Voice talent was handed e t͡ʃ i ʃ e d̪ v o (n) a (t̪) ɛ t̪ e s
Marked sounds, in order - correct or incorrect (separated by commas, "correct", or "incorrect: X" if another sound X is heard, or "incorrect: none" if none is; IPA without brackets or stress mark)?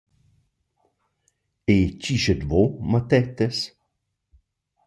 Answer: incorrect: m, correct